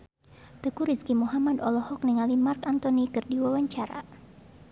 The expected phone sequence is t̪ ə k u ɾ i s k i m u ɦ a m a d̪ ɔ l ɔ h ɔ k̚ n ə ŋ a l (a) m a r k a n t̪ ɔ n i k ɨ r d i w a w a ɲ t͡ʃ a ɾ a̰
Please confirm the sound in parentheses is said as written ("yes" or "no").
no